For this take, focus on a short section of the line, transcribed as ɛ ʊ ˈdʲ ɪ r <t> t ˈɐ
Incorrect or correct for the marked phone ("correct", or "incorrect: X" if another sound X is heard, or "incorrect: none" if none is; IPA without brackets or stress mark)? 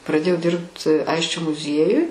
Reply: incorrect: p